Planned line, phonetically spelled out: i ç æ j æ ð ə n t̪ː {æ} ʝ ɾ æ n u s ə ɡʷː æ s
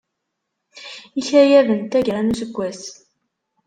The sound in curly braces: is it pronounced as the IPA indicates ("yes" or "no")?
yes